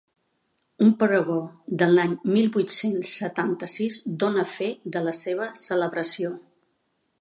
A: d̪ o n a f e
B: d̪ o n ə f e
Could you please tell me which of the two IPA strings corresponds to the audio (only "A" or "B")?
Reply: B